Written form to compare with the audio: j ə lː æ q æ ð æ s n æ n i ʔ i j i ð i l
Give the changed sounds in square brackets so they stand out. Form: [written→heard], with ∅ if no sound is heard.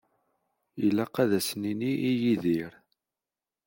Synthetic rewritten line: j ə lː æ q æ ð æ s n [æ→i] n i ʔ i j i ð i [l→ɾ]